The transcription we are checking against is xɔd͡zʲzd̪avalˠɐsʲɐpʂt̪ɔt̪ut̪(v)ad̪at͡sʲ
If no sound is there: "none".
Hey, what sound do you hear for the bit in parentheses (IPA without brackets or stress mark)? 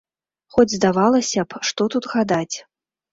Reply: ɣ